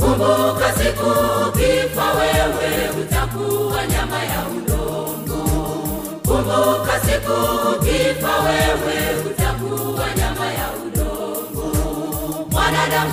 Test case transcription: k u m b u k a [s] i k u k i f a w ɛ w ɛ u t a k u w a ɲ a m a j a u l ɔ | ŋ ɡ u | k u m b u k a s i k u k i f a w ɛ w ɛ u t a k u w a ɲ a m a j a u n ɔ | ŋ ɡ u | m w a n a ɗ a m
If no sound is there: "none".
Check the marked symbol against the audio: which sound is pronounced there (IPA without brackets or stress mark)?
s